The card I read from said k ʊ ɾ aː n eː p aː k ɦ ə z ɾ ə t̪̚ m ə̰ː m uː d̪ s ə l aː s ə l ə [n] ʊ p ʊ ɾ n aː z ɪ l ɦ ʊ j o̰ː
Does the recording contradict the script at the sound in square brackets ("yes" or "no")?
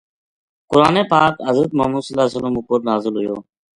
yes